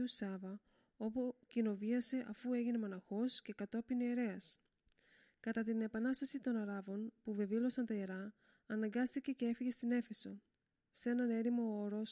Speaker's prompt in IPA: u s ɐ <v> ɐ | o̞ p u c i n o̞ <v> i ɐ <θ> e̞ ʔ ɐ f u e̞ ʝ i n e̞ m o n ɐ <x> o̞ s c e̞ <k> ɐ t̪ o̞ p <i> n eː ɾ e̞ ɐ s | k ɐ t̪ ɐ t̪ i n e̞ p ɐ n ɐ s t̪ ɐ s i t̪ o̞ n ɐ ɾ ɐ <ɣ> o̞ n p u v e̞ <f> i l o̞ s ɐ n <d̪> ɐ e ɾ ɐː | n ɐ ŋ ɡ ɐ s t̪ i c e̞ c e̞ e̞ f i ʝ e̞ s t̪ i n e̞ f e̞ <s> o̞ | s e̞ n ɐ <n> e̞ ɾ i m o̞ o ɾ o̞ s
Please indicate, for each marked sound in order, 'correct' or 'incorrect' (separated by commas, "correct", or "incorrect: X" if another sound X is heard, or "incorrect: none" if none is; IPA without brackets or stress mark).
correct, correct, incorrect: s, correct, correct, correct, incorrect: v, incorrect: v, incorrect: t̪, correct, correct